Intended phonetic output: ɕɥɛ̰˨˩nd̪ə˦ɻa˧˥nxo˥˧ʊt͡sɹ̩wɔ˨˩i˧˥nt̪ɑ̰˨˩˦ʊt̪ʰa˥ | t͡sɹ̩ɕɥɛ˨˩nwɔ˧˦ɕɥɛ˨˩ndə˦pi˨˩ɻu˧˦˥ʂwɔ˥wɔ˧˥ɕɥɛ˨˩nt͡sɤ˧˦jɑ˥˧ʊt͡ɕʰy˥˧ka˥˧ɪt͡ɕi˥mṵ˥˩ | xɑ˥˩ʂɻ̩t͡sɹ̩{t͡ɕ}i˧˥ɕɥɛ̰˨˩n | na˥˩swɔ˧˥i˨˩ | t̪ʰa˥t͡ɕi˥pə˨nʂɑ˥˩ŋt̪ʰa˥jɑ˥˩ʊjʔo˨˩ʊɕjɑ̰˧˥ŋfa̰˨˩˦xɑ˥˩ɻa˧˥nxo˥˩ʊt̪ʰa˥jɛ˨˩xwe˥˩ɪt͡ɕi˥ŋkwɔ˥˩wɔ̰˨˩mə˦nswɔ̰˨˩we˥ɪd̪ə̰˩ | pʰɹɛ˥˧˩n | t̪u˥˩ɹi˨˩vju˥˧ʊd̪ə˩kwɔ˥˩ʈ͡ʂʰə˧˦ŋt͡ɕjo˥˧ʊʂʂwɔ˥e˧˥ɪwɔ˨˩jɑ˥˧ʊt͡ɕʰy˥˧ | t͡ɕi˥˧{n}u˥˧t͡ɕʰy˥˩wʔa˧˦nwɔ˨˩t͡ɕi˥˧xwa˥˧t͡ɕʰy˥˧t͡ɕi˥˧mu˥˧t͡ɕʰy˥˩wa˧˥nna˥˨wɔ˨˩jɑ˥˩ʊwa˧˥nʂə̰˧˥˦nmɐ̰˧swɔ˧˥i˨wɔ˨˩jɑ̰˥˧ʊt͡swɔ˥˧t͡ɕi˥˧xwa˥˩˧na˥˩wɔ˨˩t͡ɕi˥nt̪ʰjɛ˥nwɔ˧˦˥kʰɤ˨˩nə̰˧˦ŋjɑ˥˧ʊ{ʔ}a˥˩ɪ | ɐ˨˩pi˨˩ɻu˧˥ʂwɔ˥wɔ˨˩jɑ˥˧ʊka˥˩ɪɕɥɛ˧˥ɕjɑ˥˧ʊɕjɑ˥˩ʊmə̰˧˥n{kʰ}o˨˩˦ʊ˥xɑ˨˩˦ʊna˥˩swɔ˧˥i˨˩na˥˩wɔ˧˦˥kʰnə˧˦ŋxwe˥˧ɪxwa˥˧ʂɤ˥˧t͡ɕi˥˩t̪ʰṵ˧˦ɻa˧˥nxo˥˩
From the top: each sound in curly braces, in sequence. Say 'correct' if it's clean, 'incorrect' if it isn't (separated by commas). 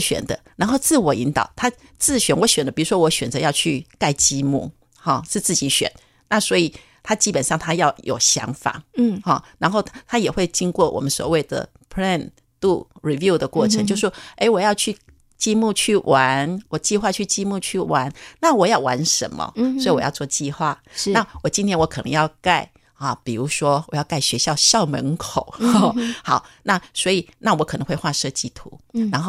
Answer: correct, incorrect, incorrect, correct